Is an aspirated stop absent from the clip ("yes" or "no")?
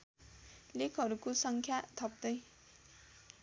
no